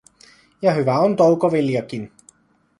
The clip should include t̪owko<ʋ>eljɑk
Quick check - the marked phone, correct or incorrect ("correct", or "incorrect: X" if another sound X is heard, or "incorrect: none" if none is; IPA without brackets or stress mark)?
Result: correct